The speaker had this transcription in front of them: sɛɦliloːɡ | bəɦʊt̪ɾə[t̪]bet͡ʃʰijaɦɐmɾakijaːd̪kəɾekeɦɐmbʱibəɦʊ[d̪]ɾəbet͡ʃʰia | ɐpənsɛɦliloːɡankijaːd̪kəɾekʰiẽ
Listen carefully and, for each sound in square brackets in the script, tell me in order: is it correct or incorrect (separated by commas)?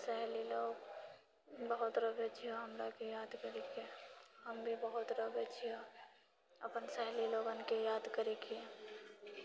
incorrect, incorrect